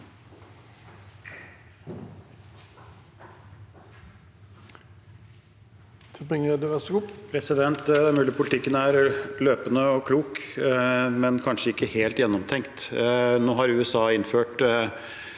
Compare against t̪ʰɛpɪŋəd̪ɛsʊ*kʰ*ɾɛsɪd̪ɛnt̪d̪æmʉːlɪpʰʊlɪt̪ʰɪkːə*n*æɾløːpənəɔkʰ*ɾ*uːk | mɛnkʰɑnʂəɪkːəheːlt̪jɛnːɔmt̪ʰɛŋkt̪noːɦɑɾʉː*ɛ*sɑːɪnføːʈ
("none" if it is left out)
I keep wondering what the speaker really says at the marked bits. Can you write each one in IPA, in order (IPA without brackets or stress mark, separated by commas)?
pʰ, n, l, ɛ